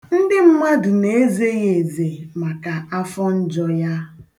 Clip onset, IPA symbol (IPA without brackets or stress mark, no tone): n̩